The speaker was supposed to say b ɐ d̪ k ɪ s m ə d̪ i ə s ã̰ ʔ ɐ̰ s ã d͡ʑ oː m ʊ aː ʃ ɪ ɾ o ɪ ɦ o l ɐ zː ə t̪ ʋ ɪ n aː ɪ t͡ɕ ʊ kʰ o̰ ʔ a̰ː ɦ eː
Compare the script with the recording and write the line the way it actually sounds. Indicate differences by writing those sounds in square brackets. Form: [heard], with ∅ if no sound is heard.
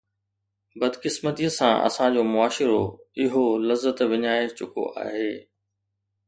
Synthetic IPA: b ɐ d̪ k ɪ s m ə [t̪] i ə s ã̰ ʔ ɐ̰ s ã d͡ʑ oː m ʊ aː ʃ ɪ ɾ o ɪ ɦ o l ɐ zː ə t̪ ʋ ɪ [ɲ] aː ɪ t͡ɕ ʊ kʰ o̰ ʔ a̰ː ɦ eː